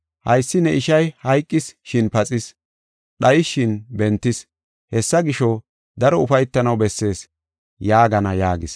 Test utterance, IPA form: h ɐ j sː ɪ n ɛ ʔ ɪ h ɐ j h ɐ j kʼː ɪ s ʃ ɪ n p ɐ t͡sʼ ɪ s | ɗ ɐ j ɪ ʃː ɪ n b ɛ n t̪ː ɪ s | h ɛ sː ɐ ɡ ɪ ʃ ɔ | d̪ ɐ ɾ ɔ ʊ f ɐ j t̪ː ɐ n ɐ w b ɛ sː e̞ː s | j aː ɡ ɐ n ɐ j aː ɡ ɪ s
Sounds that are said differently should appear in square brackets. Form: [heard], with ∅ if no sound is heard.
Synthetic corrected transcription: h ɐ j sː ɪ n ɛ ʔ ɪ [ʃ] ɐ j h ɐ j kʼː ɪ s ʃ ɪ n p ɐ t͡sʼ ɪ s | ɗ ɐ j ɪ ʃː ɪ n b ɛ n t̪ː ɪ s | h ɛ sː ɐ ɡ ɪ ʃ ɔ | d̪ ɐ ɾ ɔ ʊ f ɐ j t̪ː ɐ n ɐ w b ɛ sː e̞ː s | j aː ɡ ɐ n ɐ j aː ɡ ɪ s